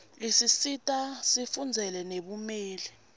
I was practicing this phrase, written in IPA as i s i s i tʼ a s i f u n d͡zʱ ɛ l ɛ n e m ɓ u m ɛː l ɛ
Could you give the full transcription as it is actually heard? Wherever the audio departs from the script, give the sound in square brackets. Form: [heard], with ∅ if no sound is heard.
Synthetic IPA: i s i s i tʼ a s i f u n d͡zʱ ɛ l ɛ n e [∅] ɓ u m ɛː l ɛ

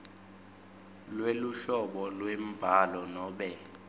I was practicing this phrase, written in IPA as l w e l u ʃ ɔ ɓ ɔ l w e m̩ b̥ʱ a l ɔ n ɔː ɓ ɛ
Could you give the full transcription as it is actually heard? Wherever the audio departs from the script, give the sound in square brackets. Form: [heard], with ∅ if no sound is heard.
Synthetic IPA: l w e l u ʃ ɔ ɓ ɔ l w e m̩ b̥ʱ a l ɔ n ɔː ɓ ɛ

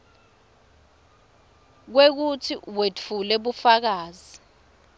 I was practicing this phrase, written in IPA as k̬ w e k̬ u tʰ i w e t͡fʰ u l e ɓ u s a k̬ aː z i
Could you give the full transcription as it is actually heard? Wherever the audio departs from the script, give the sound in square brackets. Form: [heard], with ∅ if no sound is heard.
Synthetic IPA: k̬ w e k̬ u tʰ i w e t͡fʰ u l [ɛ] ɓ u [f] a k̬ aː z i

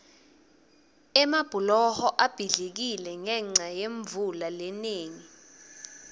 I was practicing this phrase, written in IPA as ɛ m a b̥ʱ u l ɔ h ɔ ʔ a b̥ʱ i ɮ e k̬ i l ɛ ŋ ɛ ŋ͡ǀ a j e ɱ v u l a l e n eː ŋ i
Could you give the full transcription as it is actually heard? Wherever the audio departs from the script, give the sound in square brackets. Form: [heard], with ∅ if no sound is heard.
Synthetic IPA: ɛ m a b̥ʱ u l ɔ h ɔ ʔ a b̥ʱ i ɮ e k̬ i l ɛ ŋ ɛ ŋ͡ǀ a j e ɱ v u l a l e n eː ŋ i

